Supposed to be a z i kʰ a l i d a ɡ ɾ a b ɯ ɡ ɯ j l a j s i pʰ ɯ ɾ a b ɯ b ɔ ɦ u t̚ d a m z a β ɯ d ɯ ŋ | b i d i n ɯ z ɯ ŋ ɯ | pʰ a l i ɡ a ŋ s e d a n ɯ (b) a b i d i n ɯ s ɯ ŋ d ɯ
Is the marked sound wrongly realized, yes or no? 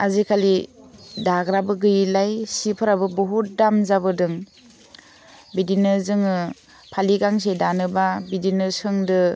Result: no